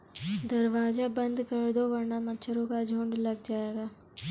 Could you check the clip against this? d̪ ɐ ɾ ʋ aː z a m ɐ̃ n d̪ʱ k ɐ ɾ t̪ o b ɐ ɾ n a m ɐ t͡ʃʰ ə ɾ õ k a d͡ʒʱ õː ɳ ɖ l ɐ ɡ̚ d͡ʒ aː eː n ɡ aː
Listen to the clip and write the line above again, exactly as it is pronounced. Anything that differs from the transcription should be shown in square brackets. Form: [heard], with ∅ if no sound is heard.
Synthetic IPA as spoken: d̪ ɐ ɾ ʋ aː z a [b] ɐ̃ n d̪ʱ k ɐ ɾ [d̪] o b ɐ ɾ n a m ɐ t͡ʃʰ ə ɾ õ k a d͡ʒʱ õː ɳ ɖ l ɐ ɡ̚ d͡ʒ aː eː [∅] ɡ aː